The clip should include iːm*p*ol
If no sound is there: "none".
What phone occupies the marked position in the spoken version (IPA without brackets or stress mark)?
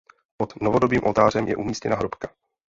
ʔ